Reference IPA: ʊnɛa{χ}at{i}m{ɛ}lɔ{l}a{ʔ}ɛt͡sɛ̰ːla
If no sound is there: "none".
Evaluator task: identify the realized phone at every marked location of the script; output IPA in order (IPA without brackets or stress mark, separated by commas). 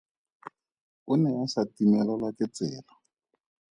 s, i, ɛ, l, k